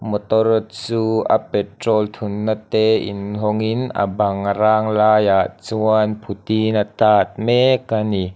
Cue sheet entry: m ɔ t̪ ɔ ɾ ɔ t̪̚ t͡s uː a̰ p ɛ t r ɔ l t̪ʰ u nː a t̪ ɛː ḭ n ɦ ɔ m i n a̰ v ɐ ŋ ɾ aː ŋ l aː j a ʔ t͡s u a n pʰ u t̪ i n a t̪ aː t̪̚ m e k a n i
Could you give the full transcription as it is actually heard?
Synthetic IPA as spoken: m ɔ t̪ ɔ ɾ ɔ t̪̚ t͡s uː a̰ p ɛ t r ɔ l t̪ʰ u nː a t̪ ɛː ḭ n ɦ ɔ ŋ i n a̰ b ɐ ŋ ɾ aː ŋ l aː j a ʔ t͡s u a n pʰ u t̪ i n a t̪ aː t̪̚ m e k a n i